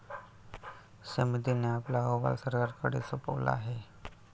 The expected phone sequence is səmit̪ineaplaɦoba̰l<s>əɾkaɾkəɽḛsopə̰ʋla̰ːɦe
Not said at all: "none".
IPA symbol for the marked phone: s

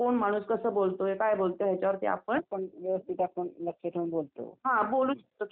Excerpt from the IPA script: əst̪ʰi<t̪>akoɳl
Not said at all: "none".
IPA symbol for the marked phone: t̪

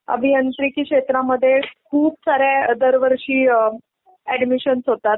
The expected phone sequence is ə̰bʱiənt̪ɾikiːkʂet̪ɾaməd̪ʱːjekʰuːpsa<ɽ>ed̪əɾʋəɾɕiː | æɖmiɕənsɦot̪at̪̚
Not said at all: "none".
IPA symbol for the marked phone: ɾ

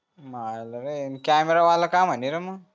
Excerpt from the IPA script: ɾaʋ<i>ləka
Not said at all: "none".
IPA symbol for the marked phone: a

